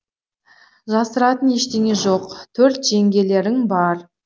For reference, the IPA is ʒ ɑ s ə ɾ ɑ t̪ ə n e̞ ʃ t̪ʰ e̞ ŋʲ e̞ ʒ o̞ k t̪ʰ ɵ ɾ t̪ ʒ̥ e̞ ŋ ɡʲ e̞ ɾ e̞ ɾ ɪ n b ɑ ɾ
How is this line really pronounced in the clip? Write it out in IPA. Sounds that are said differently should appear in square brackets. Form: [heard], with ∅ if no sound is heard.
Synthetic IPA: ʒ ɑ s ə ɾ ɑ t̪ ə n e̞ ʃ [t̪] e̞ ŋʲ e̞ ʒ o̞ [q] t̪ʰ ɵ ɾ t̪ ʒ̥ e̞ ŋ ɡʲ e̞ [l] e̞ ɾ ɪ [ŋ] b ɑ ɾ